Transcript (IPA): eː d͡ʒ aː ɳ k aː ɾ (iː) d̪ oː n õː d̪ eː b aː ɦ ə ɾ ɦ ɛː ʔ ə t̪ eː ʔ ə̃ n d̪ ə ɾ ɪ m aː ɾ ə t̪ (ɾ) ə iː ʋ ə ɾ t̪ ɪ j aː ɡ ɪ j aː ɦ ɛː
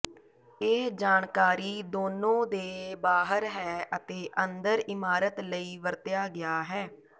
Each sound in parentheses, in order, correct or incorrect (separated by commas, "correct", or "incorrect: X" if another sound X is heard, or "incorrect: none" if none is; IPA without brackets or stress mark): correct, incorrect: l